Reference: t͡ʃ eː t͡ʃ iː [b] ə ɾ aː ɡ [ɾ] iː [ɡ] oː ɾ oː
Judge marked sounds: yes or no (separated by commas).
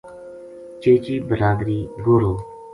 yes, yes, yes